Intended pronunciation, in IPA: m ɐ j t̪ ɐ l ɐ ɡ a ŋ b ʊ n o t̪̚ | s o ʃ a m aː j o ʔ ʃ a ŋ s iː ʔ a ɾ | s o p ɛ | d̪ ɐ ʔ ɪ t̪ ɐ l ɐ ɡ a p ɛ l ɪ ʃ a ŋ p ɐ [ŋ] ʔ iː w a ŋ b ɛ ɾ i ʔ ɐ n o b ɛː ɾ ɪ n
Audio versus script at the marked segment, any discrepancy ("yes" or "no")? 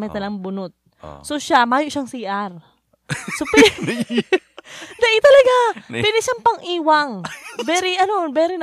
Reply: no